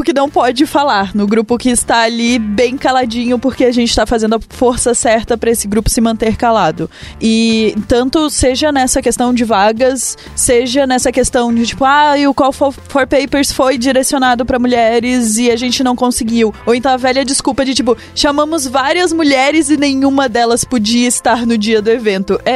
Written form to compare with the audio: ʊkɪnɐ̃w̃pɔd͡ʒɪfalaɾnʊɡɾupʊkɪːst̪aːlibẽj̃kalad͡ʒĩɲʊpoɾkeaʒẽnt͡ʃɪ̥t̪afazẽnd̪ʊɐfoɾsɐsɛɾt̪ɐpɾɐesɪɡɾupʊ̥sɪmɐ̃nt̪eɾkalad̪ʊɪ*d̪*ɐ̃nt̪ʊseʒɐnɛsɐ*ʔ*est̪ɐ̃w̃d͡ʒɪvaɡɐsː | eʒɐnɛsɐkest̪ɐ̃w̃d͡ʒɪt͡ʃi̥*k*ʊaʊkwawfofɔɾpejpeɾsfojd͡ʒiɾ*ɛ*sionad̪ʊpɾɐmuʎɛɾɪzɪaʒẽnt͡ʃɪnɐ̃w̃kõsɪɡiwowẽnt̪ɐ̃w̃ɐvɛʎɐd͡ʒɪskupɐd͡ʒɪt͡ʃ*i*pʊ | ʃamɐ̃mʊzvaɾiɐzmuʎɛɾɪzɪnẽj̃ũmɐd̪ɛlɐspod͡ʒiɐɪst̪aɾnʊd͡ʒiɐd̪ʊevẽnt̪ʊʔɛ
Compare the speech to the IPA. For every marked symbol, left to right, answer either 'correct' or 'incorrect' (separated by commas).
incorrect, incorrect, incorrect, incorrect, correct